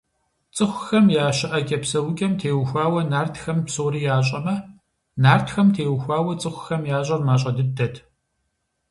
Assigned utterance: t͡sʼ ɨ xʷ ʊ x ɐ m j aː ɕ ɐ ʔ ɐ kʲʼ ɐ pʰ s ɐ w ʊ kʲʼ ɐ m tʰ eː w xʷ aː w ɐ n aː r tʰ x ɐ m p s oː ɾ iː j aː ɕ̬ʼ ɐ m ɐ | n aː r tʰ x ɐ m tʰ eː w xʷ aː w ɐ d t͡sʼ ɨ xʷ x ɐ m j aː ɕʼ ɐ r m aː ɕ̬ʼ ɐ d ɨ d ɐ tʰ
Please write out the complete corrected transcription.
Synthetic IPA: t͡sʼ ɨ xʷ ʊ x ɐ m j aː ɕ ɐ ʔ ɐ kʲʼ ɐ p s ɐ w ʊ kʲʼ ɐ m tʰ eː w xʷ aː w ɐ n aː r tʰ x ɐ m p s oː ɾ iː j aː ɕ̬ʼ ɐ m ɐ | n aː r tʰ x ɐ m tʰ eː w xʷ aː w ɐ t͡sʼ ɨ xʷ x ɐ m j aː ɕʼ ɐ r m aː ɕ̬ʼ ɐ d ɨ d ɐ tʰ